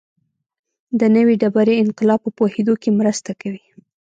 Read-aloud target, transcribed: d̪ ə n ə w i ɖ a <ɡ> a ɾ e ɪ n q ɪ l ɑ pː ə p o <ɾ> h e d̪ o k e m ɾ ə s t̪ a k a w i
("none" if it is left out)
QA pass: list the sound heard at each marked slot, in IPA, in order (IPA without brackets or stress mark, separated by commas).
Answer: b, none